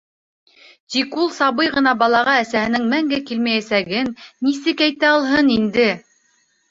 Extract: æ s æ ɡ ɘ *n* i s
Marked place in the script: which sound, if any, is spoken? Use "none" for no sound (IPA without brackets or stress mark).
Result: nː